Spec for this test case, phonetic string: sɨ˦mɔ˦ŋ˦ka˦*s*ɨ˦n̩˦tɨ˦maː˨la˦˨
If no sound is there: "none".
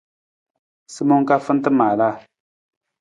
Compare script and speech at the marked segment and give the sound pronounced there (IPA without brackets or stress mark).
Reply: f